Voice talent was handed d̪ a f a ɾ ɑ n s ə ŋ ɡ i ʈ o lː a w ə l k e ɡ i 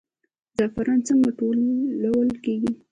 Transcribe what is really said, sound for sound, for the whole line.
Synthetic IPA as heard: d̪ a f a ɾ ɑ n t͡s ə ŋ ɡ a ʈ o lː a w ə l k e ɡ i